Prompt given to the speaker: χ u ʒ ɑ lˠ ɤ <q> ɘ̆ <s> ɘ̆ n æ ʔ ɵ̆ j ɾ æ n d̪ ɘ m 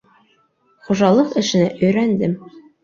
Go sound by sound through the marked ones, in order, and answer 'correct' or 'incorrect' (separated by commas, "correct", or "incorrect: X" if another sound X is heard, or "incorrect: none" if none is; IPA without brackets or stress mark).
correct, incorrect: ʃ